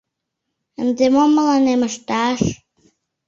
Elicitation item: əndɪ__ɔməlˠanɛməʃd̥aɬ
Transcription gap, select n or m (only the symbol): m